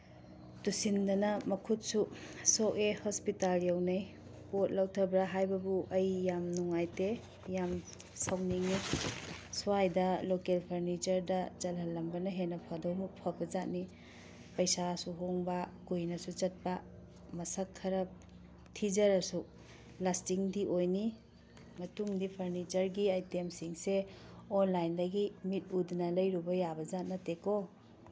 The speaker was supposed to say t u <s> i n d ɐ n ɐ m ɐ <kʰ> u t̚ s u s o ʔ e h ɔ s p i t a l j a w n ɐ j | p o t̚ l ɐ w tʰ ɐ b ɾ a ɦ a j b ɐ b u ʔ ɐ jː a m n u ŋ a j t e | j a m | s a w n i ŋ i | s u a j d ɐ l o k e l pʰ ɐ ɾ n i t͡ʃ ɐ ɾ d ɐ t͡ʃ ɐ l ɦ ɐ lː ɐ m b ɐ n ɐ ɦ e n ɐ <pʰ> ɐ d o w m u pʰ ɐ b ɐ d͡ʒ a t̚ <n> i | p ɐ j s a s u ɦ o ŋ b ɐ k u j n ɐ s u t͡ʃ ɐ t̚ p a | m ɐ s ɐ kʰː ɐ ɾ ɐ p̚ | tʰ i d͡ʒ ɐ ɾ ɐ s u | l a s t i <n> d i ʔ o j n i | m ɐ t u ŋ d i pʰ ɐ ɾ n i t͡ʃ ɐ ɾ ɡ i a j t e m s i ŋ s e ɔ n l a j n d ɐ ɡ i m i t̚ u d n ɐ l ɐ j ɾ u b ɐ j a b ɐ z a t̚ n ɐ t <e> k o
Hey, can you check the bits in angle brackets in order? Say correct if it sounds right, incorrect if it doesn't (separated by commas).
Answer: correct, correct, correct, correct, incorrect, correct